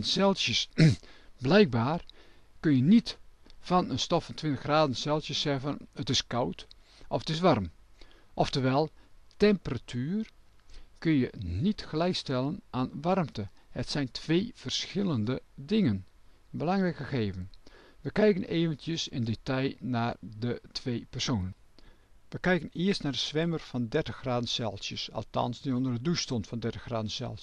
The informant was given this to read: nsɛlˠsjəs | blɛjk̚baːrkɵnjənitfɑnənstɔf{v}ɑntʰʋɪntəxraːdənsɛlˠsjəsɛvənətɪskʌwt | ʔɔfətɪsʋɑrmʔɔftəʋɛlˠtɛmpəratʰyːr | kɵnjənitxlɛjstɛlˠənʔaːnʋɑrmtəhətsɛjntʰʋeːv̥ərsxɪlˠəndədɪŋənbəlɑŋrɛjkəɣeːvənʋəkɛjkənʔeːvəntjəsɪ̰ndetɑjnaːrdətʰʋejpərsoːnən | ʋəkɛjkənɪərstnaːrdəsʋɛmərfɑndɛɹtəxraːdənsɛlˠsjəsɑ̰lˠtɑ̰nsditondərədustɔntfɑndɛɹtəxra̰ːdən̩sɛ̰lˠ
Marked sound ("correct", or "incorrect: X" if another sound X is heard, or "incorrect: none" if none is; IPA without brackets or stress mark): incorrect: f